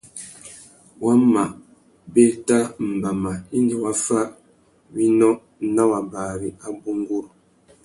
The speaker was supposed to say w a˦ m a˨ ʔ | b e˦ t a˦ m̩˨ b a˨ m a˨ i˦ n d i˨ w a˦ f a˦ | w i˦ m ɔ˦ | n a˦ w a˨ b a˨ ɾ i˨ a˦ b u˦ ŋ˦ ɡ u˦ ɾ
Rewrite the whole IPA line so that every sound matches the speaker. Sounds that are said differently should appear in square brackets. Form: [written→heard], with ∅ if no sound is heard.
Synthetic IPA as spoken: w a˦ m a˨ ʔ | b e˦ t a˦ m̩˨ b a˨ m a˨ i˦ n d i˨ w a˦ f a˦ | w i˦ [m→n] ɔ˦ | n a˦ w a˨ b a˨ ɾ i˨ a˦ b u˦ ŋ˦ ɡ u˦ ɾ